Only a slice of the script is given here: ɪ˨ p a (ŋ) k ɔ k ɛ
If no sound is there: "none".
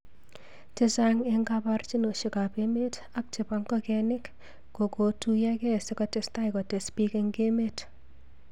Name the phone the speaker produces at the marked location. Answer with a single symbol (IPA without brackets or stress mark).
ŋ